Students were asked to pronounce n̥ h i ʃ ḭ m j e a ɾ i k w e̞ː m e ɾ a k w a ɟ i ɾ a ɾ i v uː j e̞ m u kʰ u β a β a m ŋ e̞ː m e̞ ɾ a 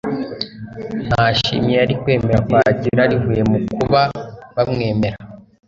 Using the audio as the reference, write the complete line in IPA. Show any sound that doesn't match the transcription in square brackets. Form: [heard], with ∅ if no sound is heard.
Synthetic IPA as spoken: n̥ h [a] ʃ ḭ m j e a ɾ i k w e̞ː m e ɾ a k w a ɟ i ɾ a ɾ i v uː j e̞ m u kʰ u β a β a m ŋ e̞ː m e̞ ɾ a